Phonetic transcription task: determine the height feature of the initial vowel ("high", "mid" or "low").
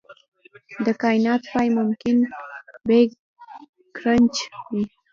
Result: mid